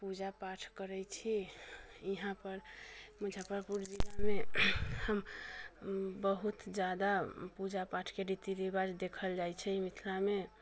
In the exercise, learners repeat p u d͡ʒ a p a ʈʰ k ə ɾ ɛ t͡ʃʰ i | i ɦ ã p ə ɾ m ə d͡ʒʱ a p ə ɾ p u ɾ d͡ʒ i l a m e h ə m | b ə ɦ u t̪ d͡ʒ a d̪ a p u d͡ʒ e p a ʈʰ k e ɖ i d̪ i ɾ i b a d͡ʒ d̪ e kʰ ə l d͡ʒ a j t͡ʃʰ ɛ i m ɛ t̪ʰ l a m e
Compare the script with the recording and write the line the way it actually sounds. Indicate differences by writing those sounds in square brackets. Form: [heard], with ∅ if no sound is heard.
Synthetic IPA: p u d͡ʒ a p a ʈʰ k ə ɾ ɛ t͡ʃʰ i | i ɦ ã p ə ɾ m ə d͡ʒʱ a p ə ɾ p u ɾ d͡ʒ i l a m e h ə m | b ə ɦ u t̪ d͡ʒ a d̪ a p u d͡ʒ [a] p a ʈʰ k e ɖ i [t̪] i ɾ i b a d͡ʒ d̪ e kʰ ə l d͡ʒ a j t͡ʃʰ ɛ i m [i] t̪ʰ l a m e